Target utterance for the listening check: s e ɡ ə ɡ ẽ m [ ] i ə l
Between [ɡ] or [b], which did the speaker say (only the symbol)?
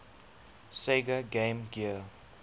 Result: ɡ